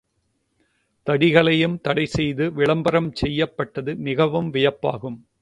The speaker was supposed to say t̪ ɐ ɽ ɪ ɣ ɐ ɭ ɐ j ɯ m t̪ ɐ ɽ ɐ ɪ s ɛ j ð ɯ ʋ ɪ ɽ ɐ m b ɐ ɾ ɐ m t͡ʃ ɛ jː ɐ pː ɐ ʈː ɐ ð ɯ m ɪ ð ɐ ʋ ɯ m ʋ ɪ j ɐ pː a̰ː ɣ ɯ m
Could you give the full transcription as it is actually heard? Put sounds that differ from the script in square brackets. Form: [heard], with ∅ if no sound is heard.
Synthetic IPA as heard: t̪ ɐ ɽ ɪ ɣ ɐ ɭ ɐ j ɯ m t̪ ɐ ɽ ɐ ɪ s ɛ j ð ɯ ʋ ɪ [ɭ] ɐ m b ɐ ɾ ɐ m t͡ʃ ɛ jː ɐ pː ɐ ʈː ɐ ð ɯ m ɪ [ɣ] ɐ ʋ ɯ m ʋ ɪ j ɐ pː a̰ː ɣ ɯ m